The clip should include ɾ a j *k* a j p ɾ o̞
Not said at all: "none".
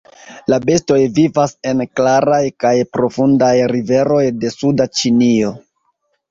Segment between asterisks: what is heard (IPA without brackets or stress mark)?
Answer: k